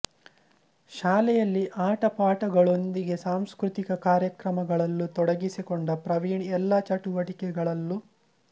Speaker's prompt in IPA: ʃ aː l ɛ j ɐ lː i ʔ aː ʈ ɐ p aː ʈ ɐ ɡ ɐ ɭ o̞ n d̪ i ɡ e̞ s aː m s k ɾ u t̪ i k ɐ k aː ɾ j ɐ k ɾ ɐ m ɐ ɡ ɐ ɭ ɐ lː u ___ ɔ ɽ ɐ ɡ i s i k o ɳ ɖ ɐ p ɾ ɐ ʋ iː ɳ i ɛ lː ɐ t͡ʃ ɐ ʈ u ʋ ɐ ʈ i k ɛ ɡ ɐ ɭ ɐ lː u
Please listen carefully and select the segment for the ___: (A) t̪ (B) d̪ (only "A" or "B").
A